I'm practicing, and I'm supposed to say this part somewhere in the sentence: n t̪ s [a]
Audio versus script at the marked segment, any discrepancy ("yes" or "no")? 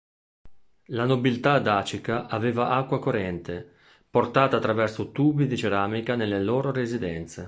yes